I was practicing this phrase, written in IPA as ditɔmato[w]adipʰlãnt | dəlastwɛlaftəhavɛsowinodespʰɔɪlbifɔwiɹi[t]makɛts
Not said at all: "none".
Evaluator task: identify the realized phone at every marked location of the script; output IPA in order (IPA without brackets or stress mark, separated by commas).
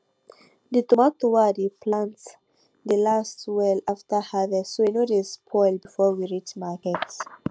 w, t͡ʃ